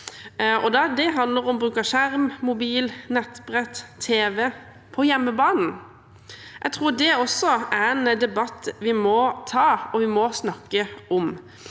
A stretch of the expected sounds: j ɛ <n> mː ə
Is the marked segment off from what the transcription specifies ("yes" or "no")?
yes